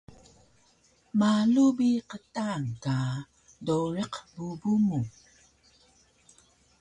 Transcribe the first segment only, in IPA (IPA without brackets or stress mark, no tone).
m